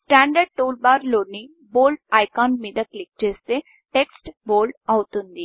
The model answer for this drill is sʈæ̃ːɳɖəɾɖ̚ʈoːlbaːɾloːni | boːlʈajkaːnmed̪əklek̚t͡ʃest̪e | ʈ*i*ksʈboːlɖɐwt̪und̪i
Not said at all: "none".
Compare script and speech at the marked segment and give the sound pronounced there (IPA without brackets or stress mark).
e